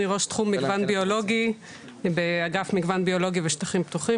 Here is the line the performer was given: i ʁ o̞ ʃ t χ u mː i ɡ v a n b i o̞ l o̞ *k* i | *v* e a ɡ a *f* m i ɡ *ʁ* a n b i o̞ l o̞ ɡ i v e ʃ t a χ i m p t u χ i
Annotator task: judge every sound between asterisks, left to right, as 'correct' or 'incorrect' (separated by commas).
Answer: incorrect, incorrect, correct, incorrect